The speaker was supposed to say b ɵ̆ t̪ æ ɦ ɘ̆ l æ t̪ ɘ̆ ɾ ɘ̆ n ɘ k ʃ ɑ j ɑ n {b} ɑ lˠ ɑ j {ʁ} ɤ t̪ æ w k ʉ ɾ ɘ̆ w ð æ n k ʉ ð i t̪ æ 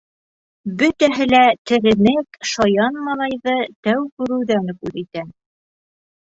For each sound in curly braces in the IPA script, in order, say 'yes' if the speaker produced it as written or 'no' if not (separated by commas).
no, no